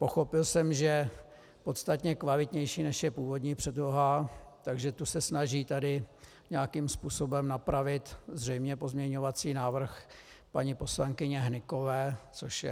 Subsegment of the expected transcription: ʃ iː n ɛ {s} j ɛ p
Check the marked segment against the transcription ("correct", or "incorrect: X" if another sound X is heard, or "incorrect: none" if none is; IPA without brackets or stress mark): incorrect: ʃ